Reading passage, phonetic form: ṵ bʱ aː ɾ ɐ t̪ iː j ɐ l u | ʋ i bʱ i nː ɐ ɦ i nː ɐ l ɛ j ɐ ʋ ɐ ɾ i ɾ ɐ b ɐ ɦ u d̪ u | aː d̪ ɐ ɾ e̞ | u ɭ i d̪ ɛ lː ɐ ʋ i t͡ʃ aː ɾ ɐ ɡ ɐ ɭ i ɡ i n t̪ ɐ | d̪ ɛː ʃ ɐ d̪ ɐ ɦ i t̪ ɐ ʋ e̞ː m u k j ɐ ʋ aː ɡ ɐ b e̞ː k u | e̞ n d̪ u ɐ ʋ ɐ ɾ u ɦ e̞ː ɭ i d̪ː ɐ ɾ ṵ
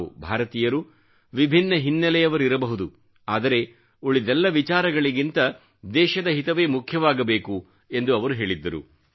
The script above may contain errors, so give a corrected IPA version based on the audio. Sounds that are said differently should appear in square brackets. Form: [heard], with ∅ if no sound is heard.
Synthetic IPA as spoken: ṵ bʱ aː ɾ ɐ t̪ iː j ɐ [ɾ] u | ʋ i bʱ i nː ɐ ɦ i nː ɐ l ɛ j ɐ ʋ ɐ ɾ i ɾ ɐ b ɐ ɦ u d̪ u | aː d̪ ɐ ɾ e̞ | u ɭ i d̪ ɛ lː ɐ ʋ i t͡ʃ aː ɾ ɐ ɡ ɐ ɭ i ɡ i n t̪ ɐ | d̪ ɛː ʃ ɐ d̪ ɐ ɦ i t̪ ɐ ʋ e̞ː m u [kʰ] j ɐ ʋ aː ɡ ɐ b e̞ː k u | e̞ n d̪ u ɐ ʋ ɐ ɾ u ɦ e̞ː ɭ i d̪ː ɐ ɾ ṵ

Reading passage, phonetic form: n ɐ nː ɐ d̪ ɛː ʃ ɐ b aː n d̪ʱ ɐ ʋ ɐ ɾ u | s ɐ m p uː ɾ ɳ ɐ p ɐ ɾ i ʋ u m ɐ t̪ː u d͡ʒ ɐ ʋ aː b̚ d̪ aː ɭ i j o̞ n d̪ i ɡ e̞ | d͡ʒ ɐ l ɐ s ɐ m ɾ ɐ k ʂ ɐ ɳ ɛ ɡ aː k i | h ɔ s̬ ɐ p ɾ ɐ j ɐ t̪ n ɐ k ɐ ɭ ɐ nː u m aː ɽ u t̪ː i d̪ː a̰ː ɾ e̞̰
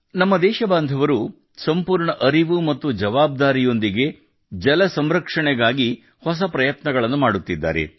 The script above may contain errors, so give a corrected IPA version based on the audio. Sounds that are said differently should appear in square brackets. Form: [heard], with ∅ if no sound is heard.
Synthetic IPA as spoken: n ɐ [mː] ɐ d̪ ɛː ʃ ɐ b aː n d̪ʱ ɐ ʋ ɐ ɾ u | s ɐ m p uː ɾ ɳ ɐ [ʔ] ɐ ɾ i ʋ u m ɐ t̪ː u d͡ʒ ɐ ʋ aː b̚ d̪ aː [ɾ] i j o̞ n d̪ i ɡ e̞ | d͡ʒ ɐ l ɐ s ɐ m ɾ ɐ k ʂ ɐ ɳ ɛ ɡ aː [ɡ] i | h ɔ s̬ ɐ p ɾ ɐ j ɐ t̪ n ɐ [ɡ] ɐ ɭ ɐ nː u m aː ɽ u t̪ː i d̪ː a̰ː ɾ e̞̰

